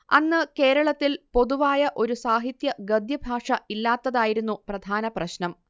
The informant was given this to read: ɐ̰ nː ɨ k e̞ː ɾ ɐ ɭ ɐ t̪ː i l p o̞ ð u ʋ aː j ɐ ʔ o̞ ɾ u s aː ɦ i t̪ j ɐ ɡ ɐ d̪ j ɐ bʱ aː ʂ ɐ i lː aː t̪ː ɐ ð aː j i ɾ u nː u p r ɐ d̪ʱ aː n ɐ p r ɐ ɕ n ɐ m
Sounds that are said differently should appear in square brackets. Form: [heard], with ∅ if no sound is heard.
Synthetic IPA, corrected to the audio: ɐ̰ nː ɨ k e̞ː ɾ ɐ ɭ ɐ t̪ː i l p o̞ ð u ʋ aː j ɐ ʔ o̞ ɾ u s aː ɦ i t̪ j ɐ ɡ ɐ d̪ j ɐ bʱ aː ʂ ɐ i lː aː t̪ː ɐ ð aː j i ɾ u nː u p r ɐ d̪ʱ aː n ɐ p r ɐ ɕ n ɐ m